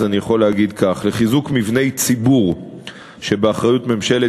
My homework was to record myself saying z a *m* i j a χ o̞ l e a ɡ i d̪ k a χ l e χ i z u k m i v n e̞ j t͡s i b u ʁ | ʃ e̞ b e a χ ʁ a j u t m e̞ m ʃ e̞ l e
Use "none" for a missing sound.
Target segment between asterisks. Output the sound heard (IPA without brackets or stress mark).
n